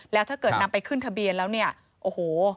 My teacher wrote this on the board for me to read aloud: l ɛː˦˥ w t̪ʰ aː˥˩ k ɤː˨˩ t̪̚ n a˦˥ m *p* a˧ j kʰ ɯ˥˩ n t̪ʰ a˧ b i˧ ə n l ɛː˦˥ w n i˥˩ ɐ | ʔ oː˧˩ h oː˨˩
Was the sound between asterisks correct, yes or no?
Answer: yes